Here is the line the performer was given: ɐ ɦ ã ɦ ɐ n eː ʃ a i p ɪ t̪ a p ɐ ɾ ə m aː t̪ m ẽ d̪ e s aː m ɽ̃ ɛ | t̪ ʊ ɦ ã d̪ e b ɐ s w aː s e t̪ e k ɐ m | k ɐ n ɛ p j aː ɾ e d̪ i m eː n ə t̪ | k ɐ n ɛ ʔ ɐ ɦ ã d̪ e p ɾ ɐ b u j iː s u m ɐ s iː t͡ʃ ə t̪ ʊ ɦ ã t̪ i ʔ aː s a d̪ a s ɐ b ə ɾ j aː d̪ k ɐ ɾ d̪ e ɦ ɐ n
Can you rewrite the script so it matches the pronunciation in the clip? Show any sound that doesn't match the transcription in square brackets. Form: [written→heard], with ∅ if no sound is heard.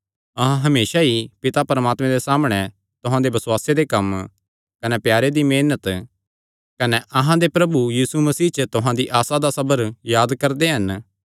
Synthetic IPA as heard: ɐ ɦ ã ɦ ɐ [n→m] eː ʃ a i p ɪ t̪ a p ɐ ɾ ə m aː t̪ m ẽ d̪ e s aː m ɽ̃ ɛ | t̪ ʊ ɦ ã d̪ e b ɐ s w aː s e [t̪→d̪] e k ɐ m | k ɐ n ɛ p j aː ɾ e d̪ i m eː n ə t̪ | k ɐ n ɛ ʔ ɐ ɦ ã d̪ e p ɾ ɐ b u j iː s u m ɐ s iː t͡ʃ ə t̪ ʊ ɦ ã [t̪→d̪] i ʔ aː s a d̪ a s ɐ b ə ɾ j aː d̪ k ɐ ɾ d̪ e ɦ ɐ n